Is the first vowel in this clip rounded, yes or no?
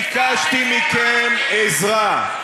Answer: no